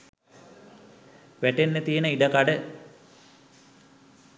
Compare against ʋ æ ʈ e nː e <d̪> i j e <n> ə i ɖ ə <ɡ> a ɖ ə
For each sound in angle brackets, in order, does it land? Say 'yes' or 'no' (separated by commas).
no, yes, no